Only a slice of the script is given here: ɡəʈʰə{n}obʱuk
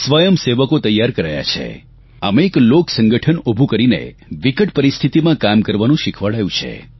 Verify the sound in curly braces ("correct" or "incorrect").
correct